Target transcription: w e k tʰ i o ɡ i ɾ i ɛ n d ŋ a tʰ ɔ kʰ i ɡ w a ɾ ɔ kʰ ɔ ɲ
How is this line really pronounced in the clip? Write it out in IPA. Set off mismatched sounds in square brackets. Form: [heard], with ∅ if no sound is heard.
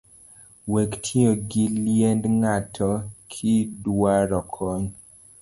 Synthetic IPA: w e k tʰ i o ɡ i [l] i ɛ n d ŋ a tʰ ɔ kʰ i [d] w a ɾ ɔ kʰ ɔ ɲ

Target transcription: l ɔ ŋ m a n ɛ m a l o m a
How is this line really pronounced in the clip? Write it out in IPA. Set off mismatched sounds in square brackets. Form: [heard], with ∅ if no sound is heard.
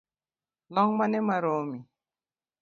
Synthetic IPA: l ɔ ŋ m a n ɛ m a [ɾ] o m [i]

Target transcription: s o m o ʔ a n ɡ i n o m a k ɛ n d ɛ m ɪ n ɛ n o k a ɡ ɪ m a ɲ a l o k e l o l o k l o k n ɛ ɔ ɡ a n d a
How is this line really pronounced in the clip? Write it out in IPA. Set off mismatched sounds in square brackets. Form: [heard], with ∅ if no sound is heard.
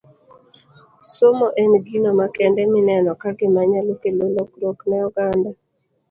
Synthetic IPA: s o m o ʔ [ɛ] n ɡ i n o m a k ɛ n d ɛ m ɪ n ɛ n [ɔ] k a ɡ ɪ m a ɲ a l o k e l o l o k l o k n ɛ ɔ ɡ a n d a

